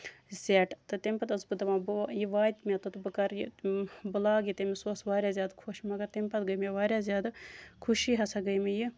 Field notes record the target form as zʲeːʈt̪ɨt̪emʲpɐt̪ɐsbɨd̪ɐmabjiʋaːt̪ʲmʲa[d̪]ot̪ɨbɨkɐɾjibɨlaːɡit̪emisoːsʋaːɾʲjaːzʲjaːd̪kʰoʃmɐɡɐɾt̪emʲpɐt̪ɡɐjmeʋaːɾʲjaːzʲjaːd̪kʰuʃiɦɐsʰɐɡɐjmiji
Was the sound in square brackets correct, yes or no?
no